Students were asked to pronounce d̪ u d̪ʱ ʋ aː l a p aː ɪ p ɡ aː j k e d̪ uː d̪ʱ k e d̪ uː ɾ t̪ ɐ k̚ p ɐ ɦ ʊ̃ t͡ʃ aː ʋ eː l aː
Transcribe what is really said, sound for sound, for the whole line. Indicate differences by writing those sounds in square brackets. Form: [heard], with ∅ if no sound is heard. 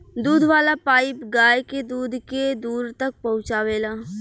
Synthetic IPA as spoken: d̪ [uː] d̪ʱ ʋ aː l a p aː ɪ p ɡ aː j k e d̪ uː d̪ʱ k e d̪ uː ɾ t̪ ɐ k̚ p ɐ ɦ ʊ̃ t͡ʃ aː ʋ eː l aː